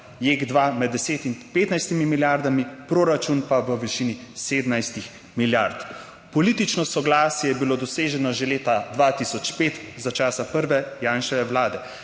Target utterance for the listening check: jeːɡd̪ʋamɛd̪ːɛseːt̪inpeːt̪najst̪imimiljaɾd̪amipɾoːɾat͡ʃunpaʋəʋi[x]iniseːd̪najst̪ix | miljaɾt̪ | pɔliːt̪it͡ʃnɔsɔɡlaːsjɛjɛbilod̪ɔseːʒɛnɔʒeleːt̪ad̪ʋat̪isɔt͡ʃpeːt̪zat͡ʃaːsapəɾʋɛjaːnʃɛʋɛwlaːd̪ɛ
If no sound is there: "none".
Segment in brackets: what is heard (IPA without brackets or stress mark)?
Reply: ʃ